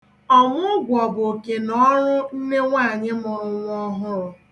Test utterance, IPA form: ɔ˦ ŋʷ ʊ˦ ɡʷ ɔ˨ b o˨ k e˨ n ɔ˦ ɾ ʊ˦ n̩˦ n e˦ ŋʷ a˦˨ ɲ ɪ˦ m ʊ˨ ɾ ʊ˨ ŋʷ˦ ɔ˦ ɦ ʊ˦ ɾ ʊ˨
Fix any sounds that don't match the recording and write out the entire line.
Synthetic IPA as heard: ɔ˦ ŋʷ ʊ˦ ɡʷ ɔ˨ b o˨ k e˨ n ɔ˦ ɾ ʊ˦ n̩˦ n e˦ ŋʷ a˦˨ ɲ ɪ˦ m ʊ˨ ɾ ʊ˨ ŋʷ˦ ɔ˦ ɦ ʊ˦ ɾ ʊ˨